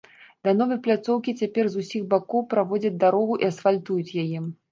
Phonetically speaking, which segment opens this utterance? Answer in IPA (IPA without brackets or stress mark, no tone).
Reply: d̪